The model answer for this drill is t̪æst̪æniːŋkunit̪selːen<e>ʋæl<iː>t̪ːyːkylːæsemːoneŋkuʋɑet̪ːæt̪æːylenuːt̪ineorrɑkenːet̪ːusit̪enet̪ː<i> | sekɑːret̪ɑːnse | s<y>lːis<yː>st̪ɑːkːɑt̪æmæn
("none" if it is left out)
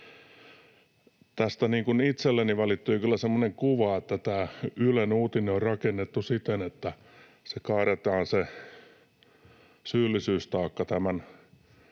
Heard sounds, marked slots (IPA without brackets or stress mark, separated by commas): i, i, æ, yː, yː